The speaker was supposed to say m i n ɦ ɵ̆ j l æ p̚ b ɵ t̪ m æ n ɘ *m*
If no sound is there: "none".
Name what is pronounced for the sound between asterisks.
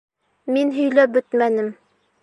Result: m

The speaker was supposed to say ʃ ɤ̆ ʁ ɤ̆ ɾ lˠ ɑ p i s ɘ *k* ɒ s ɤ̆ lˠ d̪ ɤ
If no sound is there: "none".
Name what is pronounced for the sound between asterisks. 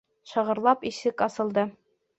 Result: k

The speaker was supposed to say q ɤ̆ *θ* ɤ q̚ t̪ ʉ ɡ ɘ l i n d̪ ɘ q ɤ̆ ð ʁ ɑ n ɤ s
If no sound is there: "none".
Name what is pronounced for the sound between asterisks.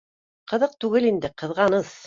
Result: ð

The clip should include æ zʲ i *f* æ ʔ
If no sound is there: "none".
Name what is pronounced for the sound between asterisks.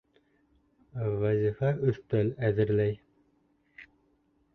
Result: f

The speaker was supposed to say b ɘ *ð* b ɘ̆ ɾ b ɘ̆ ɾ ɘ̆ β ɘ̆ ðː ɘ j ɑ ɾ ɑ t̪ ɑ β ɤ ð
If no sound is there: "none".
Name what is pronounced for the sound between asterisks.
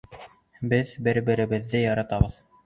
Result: ð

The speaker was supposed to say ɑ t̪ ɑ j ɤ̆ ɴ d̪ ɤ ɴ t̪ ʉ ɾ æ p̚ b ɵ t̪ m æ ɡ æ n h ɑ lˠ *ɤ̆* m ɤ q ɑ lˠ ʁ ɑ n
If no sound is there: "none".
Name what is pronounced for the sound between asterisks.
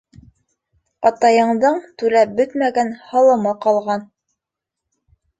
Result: ɤ̆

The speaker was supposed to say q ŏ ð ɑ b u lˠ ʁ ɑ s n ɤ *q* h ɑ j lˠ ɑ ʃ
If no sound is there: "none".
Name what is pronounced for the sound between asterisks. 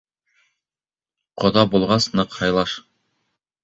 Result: q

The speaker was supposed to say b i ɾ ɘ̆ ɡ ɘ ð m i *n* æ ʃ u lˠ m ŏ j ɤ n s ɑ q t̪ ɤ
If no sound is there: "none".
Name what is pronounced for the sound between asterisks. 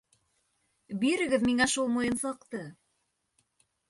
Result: ŋ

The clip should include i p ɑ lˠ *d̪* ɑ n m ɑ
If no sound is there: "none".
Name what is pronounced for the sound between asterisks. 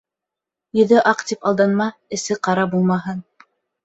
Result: d̪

